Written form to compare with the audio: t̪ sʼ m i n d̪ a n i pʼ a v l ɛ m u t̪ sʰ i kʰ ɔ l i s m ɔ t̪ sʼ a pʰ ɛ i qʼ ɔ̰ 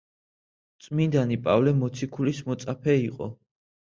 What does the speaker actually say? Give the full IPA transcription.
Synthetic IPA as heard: t̪ sʼ m i n d̪ a n i pʼ a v l ɛ m ɔ t̪ sʰ i kʰ u l i s m ɔ t̪ sʼ a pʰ ɛ i qʼ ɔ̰